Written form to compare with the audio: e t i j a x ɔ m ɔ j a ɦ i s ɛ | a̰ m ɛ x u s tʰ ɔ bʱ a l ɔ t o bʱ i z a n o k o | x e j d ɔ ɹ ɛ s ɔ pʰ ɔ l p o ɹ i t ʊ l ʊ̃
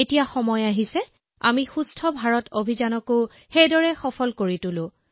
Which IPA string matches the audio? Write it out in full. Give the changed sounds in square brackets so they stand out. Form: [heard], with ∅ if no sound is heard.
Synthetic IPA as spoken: e t i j a x ɔ m ɔ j a ɦ i s ɛ | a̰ m [i] x u s tʰ ɔ bʱ a [ɹ] ɔ t o bʱ i z a n [ɔ] k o | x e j d ɔ ɹ ɛ [x] ɔ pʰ ɔ l [k] o ɹ i t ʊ l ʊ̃